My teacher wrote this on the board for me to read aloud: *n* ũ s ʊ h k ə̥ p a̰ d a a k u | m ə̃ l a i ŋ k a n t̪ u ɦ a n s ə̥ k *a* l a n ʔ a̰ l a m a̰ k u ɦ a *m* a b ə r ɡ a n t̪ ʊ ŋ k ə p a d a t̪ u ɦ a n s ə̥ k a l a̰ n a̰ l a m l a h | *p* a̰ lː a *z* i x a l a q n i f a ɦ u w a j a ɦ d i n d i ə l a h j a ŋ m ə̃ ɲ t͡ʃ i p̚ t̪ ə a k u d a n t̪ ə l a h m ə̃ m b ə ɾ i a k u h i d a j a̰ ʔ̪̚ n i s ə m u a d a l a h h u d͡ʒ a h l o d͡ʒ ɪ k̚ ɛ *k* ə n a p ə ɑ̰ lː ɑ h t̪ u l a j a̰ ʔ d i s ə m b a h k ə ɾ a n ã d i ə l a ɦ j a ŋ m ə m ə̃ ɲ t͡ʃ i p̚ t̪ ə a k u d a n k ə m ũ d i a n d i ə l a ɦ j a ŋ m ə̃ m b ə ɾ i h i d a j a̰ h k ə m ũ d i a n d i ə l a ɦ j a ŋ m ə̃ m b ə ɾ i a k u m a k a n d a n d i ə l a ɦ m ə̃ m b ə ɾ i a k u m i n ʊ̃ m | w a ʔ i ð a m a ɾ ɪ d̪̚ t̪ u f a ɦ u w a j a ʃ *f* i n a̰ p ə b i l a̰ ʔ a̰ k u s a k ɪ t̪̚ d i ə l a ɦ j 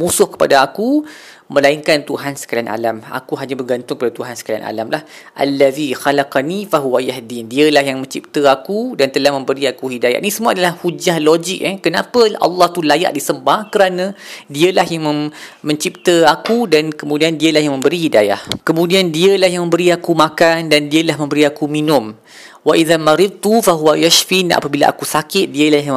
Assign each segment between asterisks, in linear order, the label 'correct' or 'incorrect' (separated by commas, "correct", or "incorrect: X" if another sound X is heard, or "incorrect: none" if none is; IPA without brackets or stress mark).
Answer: incorrect: m, correct, incorrect: ɲ, incorrect: ʔ, incorrect: ð, correct, correct